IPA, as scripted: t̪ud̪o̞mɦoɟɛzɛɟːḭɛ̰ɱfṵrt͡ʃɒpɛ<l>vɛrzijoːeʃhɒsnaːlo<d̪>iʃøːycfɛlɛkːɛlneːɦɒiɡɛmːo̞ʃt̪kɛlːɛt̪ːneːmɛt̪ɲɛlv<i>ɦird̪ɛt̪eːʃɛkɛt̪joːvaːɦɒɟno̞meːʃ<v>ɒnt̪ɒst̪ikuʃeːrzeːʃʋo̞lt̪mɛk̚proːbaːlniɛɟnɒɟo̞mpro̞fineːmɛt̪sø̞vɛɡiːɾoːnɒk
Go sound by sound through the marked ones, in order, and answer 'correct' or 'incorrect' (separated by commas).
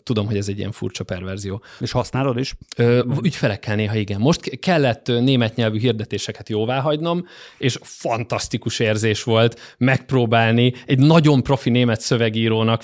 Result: incorrect, correct, incorrect, incorrect